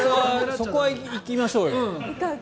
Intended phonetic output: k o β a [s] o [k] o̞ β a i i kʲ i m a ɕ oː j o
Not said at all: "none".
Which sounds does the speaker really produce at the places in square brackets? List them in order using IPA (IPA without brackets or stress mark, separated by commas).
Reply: s, k